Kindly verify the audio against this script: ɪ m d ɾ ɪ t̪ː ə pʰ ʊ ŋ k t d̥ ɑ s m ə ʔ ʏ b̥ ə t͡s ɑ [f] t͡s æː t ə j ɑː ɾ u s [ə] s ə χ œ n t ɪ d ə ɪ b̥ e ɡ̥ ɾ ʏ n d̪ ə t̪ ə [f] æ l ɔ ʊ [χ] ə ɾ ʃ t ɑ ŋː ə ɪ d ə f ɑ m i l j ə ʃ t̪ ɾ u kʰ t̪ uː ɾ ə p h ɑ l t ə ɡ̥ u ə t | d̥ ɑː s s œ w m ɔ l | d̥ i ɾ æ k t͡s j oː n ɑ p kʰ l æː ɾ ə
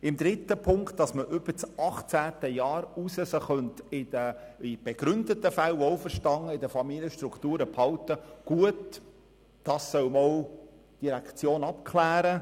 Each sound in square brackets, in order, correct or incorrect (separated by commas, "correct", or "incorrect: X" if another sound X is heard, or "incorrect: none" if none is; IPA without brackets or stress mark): incorrect: χ, correct, correct, incorrect: f